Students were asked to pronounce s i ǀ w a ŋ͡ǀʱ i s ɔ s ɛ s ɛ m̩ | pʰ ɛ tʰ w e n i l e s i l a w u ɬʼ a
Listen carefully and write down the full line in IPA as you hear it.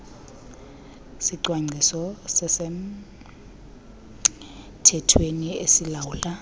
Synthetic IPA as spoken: s i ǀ w a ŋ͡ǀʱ i s ɔ s ɛ s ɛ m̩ | tʰ ɛ tʰ w e n i e s i l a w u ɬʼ a